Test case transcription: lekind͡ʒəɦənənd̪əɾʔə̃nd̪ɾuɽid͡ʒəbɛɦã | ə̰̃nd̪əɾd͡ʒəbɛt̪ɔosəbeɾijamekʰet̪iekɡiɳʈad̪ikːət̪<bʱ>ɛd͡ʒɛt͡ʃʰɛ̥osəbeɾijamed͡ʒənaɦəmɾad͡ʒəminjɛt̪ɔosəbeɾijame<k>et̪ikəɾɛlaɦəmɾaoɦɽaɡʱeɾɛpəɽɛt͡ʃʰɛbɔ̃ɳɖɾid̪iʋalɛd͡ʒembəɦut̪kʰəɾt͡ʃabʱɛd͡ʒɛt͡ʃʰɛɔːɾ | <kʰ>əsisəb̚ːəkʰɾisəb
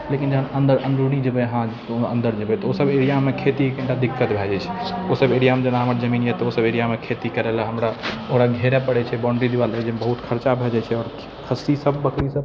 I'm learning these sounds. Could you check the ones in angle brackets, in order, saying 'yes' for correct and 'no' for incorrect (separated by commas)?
yes, no, yes